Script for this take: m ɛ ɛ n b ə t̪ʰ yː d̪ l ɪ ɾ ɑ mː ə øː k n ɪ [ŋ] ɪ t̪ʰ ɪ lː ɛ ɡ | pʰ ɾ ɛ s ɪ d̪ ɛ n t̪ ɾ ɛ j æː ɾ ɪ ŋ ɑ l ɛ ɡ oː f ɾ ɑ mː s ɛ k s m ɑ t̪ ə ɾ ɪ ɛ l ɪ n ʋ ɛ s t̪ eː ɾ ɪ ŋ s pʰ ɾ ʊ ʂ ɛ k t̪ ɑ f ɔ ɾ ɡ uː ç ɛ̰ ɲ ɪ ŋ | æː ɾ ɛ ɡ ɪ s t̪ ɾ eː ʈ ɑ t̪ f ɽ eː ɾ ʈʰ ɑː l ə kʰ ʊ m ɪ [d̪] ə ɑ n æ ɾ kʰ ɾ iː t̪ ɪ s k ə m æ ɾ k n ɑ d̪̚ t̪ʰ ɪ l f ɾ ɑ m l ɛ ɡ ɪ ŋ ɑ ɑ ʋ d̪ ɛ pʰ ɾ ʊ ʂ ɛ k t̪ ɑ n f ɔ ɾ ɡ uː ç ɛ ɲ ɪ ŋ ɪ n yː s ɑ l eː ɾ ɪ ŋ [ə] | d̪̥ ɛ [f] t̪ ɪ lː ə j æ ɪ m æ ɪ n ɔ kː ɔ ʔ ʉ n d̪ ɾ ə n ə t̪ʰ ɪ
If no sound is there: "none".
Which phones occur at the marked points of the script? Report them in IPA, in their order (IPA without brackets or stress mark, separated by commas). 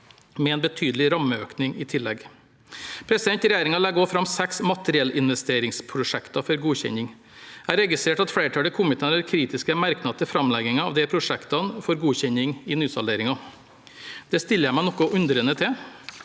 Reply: ŋ, t̪, ɑ, s